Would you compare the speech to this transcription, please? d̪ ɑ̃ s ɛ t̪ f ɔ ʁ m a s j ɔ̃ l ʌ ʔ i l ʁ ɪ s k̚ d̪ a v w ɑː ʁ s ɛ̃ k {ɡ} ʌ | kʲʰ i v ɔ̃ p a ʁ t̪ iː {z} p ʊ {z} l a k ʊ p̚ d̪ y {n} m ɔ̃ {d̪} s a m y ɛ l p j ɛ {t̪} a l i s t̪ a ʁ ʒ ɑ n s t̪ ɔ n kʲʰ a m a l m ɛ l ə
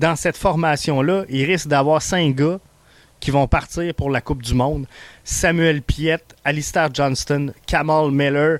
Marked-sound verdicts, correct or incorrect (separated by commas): correct, incorrect, incorrect, incorrect, correct, correct